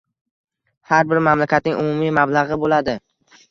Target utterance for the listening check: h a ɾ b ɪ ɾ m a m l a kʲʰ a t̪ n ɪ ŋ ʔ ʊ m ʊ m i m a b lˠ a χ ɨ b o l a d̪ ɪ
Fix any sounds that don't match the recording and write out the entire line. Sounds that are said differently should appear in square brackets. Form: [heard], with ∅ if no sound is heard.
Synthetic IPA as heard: h a ɾ b ɪ ɾ m a m l a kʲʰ a t̪ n ɪ ŋ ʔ ʊ m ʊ m i m a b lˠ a [ʁ] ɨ b o l a d̪ ɪ